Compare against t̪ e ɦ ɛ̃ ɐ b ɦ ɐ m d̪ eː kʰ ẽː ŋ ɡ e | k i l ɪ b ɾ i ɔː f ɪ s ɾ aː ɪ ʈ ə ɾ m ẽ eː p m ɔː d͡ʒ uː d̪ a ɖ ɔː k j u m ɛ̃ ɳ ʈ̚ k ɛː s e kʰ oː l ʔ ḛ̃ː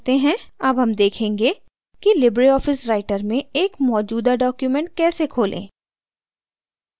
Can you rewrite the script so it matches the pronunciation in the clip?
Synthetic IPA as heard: t̪ e ɦ ɛ̃ ɐ b ɦ ɐ m d̪ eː kʰ ẽː ŋ ɡ e | k i l ɪ b ɾ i ɔː f ɪ s ɾ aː ɪ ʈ ə ɾ m ẽ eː k m ɔː d͡ʒ uː d̪ a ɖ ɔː k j u m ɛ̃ ɳ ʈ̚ k ɛː s e kʰ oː l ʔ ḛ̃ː